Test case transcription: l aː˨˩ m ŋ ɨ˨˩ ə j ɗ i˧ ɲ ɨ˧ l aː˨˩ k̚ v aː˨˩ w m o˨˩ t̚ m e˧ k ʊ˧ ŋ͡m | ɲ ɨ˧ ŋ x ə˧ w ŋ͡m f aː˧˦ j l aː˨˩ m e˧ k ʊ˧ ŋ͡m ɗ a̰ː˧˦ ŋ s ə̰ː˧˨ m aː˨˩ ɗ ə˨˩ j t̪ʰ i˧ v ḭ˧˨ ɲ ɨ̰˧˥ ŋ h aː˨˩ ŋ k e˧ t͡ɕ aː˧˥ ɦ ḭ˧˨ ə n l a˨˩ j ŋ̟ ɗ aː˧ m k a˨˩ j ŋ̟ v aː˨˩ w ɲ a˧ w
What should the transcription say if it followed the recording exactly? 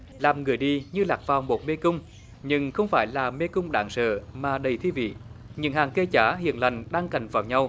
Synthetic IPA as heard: l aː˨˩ m ŋ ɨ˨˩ ə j ɗ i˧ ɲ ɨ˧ l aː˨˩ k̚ v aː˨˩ w m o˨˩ t̚ m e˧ k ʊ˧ ŋ͡m | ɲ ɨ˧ ŋ x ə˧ w ŋ͡m f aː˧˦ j l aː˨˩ m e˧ k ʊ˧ ŋ͡m ɗ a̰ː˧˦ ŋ s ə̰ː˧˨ m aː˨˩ ɗ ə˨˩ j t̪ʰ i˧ v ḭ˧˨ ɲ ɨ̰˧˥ ŋ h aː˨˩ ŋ k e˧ t͡ɕ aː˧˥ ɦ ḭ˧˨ ə n l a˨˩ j ŋ̟ ɗ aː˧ ŋ k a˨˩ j ŋ̟ v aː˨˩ w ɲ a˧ w